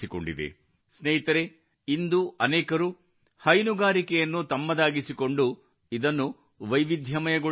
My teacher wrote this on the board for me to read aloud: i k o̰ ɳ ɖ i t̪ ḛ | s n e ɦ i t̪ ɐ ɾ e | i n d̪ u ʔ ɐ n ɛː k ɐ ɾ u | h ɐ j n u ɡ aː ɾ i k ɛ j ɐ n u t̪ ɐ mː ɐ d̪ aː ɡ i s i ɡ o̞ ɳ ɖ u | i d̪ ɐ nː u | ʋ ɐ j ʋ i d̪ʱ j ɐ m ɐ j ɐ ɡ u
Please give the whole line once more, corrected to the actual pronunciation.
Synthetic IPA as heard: i k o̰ ɳ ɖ i d̪ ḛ | s n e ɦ i t̪ ɐ ɾ e | i n d̪ u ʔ ɐ n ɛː k ɐ ɾ u | h ɐ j n u ɡ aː ɾ i k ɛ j ɐ nː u t̪ ɐ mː ɐ d̪ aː ɡ i s i k o̞ ɳ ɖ u | i d̪ ɐ nː u | ʋ ɐ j ʋ i d̪ʱ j ɐ m ɐ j ɐ ɡ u